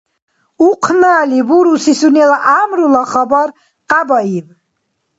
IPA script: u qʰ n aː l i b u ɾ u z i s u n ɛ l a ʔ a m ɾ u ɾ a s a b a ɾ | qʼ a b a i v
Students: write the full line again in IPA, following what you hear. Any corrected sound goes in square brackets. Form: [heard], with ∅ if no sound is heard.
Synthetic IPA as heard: u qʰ n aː l i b u ɾ u [s] i s u n ɛ l a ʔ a m ɾ u [l] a [χ] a b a ɾ | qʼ a b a i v